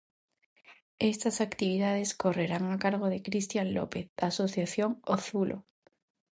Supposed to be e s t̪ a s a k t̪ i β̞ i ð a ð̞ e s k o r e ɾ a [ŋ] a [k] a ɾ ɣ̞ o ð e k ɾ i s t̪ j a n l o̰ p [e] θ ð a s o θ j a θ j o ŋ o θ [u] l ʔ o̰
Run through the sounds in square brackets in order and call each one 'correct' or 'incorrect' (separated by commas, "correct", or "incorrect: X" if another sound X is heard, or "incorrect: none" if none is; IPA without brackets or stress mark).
correct, correct, correct, correct